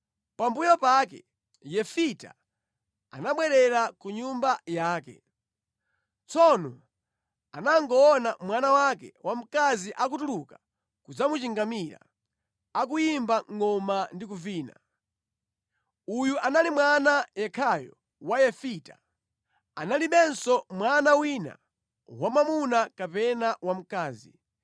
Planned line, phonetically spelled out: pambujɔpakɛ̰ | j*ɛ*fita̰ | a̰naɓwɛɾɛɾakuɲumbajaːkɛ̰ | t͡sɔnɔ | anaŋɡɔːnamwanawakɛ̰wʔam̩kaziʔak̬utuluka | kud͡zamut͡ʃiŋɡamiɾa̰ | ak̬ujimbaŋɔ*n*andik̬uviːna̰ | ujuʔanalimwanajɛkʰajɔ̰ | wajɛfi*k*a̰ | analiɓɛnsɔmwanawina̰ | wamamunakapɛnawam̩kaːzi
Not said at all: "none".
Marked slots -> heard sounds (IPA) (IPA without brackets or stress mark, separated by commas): ɛ, m, t